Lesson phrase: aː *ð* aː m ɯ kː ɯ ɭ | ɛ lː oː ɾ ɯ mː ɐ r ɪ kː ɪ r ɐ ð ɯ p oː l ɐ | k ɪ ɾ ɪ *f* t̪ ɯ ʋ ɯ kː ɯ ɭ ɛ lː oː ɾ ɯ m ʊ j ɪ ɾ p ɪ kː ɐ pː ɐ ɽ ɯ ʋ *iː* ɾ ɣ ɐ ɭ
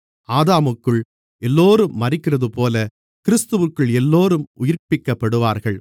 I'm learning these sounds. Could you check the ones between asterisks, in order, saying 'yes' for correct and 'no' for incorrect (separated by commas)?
yes, no, no